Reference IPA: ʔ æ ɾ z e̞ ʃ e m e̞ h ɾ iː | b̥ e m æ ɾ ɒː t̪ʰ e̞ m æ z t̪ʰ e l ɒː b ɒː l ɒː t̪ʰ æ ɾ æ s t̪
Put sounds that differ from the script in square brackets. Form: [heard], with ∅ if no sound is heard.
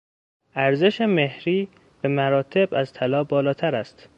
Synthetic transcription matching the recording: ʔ æ ɾ z e̞ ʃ e m e̞ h ɾ iː | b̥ e m æ ɾ ɒː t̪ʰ e̞ [b] æ z t̪ʰ [æ] l ɒː b ɒː l ɒː t̪ʰ æ ɾ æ s t̪